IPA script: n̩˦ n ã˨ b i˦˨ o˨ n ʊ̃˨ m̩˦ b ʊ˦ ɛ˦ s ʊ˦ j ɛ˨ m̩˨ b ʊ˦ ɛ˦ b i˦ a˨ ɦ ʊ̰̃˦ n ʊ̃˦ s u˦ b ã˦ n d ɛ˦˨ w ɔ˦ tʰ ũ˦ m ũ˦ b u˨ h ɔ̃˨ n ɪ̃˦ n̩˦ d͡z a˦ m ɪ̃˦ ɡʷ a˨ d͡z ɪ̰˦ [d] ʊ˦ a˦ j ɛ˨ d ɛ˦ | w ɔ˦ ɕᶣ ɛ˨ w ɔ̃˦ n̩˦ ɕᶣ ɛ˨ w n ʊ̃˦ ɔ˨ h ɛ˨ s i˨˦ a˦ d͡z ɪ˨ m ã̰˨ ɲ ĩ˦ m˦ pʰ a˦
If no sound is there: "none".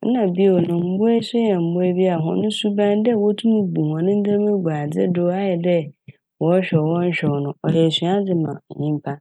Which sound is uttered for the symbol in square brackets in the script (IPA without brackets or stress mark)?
d